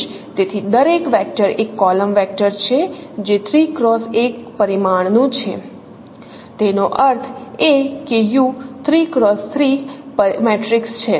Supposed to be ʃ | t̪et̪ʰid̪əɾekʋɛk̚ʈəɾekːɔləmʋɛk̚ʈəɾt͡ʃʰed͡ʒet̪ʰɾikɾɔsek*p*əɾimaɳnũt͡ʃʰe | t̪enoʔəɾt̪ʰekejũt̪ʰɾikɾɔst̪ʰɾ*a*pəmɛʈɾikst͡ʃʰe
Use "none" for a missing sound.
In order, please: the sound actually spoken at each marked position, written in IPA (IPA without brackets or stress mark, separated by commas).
p, i